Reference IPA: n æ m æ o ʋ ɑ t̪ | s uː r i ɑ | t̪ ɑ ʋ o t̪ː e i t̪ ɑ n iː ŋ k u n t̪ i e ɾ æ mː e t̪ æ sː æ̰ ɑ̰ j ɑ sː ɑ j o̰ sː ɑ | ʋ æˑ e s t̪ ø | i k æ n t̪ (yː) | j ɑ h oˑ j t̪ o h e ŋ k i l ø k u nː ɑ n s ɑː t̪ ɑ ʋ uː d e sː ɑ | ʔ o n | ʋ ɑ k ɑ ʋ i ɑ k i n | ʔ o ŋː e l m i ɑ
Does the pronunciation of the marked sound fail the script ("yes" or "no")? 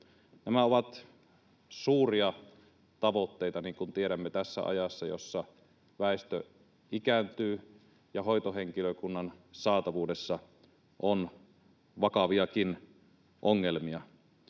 no